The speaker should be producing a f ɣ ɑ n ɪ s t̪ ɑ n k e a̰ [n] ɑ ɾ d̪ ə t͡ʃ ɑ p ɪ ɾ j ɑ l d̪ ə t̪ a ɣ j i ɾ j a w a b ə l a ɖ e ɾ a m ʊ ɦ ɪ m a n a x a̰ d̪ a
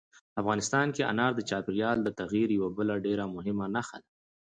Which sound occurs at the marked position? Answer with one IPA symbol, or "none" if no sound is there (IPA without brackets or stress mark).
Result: n